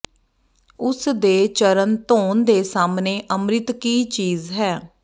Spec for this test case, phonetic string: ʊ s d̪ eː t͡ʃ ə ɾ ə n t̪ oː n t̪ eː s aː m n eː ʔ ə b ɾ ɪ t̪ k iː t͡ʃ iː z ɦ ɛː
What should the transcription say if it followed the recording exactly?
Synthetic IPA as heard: ʊ s d̪ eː t͡ʃ ə ɾ ə n t̪ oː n d̪ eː s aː m n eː ʔ ə m ɾ ɪ t̪ k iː t͡ʃ iː z ɦ ɛː